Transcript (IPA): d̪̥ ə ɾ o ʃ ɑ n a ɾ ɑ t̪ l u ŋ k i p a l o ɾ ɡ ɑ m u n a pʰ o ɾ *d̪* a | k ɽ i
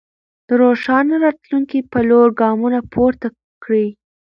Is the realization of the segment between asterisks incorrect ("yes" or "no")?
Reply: yes